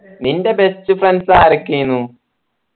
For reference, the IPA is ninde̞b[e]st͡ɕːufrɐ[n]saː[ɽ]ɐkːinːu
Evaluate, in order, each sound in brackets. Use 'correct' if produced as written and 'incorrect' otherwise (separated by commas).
correct, correct, incorrect